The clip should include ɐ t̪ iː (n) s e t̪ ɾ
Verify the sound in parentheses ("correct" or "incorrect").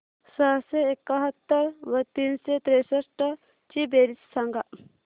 correct